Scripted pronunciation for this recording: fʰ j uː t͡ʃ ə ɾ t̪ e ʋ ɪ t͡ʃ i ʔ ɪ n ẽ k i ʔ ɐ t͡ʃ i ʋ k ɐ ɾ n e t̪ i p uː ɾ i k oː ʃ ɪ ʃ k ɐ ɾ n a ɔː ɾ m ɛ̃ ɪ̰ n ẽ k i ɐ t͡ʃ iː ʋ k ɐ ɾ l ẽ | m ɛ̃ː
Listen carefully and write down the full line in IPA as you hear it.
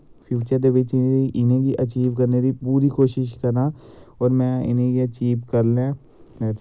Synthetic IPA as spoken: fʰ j uː t͡ʃ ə ɾ d̪ e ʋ ɪ t͡ʃ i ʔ ɪ n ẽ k i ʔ ɐ t͡ʃ iː ʋ k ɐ ɾ n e d̪ i p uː ɾ i k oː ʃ ɪ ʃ k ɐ ɾ n a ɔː ɾ m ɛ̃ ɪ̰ n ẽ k i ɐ t͡ʃ iː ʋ k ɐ ɾ l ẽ | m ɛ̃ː